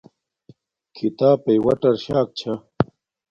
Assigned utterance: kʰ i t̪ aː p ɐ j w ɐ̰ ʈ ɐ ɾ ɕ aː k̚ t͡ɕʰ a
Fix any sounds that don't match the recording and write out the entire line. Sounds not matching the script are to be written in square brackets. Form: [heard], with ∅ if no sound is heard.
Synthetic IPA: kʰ i t̪ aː p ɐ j w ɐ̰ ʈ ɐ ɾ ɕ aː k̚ t͡ɕʰ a